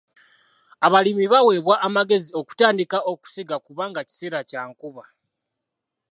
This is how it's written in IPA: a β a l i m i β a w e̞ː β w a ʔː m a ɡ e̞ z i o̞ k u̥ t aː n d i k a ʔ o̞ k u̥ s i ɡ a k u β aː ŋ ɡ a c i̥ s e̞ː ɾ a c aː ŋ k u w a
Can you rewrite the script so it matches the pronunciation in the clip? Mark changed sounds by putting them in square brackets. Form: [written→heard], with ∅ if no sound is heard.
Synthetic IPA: a β a l i m i β a w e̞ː β w a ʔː m a ɡ e̞ z i o̞ k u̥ t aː n d i k a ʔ o̞ k u̥ s i ɡ a k u β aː ŋ ɡ a c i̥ s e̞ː ɾ a c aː ŋ k u [w→β] a

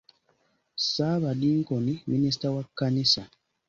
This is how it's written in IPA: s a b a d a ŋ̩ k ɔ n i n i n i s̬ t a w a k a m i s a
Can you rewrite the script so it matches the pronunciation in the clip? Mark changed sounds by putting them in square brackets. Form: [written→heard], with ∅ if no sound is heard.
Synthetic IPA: s a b a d [a→i] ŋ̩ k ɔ n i [n→m] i n i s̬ t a w a k a [m→n] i s a

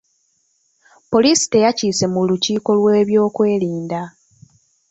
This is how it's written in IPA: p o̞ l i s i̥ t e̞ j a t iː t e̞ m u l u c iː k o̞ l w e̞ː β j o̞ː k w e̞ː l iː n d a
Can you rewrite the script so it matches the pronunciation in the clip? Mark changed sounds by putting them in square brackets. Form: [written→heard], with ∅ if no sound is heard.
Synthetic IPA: p o̞ l i s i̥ t e̞ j a [t→c] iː [t→s] e̞ m u l u c iː k o̞ l w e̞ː β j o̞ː k w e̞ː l iː n d a

